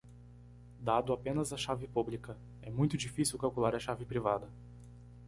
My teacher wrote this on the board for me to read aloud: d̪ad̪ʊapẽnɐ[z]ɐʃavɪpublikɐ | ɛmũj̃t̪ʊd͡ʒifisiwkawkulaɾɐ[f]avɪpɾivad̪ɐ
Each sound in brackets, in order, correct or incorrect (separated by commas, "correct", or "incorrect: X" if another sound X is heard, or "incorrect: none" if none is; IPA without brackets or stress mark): correct, incorrect: ʃ